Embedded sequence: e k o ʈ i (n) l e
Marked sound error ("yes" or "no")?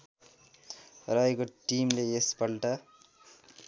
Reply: yes